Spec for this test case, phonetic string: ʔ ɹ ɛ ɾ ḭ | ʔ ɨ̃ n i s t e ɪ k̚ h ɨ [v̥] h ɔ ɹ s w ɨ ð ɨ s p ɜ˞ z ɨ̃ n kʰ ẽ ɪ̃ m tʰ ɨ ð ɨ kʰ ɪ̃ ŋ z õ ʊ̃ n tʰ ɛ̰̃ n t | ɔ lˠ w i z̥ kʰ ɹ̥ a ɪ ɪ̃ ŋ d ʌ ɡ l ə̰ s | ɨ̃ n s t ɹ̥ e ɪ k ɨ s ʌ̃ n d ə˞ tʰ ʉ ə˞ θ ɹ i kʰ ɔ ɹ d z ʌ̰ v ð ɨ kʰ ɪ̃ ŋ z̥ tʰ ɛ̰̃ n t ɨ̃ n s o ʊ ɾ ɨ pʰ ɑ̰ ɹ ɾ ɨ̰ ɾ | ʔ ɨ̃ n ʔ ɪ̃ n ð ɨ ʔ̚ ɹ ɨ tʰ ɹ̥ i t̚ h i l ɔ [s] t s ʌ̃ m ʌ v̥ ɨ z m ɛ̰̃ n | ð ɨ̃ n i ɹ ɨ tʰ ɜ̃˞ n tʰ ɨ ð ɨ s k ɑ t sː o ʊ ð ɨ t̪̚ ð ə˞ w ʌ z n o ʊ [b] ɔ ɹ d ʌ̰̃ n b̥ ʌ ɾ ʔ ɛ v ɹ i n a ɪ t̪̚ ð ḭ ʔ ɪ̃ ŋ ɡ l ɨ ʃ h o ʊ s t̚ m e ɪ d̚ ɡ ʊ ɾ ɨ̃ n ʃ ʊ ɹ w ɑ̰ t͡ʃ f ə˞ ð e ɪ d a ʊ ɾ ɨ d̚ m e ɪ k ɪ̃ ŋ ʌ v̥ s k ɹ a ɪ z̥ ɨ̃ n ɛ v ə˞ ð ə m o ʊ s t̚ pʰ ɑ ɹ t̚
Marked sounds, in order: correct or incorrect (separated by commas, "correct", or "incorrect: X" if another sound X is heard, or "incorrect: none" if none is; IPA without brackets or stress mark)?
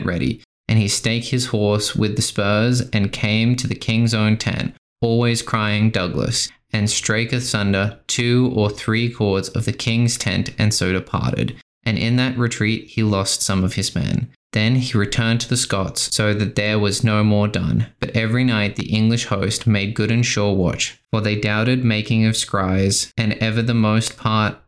incorrect: z̥, correct, incorrect: m